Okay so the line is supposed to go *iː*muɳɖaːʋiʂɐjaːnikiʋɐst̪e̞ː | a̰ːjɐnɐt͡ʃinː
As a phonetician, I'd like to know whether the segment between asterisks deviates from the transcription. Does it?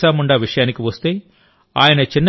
yes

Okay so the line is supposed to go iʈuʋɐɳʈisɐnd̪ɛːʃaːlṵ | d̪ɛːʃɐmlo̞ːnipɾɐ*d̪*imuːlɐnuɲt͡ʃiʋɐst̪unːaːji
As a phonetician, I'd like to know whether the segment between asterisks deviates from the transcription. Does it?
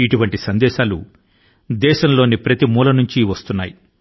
yes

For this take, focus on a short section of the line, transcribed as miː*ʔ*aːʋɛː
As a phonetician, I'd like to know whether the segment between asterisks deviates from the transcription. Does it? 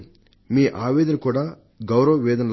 no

